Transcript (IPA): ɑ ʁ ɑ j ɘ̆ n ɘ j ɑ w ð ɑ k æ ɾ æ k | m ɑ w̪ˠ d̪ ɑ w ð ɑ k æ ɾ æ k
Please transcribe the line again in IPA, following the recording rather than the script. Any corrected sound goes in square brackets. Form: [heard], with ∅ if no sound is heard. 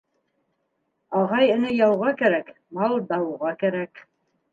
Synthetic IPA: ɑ ʁ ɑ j ɘ̆ n ɘ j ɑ w [ʁ] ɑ k æ ɾ æ k | m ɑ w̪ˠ d̪ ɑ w [ʁ] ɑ k æ ɾ æ k